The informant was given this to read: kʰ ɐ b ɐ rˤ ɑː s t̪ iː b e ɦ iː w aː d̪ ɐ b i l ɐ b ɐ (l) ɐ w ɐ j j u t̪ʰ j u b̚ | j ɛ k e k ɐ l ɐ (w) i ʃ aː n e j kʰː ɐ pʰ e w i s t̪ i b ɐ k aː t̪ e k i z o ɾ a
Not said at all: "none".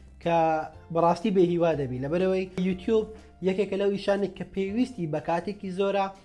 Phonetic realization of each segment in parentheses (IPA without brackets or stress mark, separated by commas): ɾ, w